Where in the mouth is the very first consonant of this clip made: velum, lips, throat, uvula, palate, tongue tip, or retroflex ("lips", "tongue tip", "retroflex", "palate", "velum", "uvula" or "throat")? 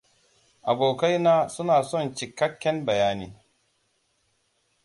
throat